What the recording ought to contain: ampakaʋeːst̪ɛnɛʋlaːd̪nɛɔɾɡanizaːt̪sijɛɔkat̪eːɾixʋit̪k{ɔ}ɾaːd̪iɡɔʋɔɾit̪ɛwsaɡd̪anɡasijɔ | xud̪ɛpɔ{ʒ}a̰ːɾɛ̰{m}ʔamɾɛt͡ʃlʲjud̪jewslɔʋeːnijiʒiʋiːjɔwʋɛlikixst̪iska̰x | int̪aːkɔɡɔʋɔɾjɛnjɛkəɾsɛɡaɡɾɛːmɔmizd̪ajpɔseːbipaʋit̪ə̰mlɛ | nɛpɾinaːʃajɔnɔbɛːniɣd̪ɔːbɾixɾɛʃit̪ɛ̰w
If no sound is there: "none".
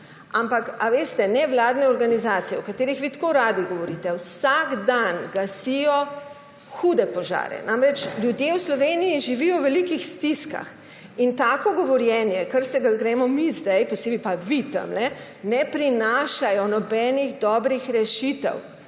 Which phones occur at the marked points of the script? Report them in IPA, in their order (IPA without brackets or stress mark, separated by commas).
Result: o, ʒ, n